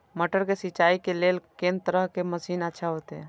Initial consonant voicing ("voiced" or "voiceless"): voiced